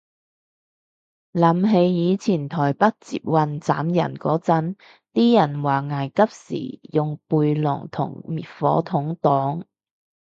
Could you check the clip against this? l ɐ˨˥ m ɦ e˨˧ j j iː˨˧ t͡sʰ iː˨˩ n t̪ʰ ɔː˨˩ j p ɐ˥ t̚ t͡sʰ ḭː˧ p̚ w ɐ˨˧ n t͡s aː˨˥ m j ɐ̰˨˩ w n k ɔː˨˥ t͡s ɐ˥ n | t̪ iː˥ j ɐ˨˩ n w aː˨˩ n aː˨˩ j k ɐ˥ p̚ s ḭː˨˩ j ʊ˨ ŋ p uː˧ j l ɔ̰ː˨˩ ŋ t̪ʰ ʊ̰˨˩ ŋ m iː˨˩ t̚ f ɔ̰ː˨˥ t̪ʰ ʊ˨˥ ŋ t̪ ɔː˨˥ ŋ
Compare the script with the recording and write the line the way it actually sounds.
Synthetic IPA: l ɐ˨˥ m ɦ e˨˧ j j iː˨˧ t͡sʰ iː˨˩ n t̪ʰ ɔː˨˩ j p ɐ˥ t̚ t͡s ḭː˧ p̚ w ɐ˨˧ n t͡s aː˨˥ m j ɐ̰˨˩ n k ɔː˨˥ t͡s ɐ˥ n | t̪ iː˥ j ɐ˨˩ n w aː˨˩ ŋ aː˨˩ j k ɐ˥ p̚ s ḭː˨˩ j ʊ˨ ŋ p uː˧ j l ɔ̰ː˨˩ ŋ t̪ʰ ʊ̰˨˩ ŋ m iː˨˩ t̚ f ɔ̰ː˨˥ t̪ʰ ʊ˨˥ ŋ t̪ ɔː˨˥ ŋ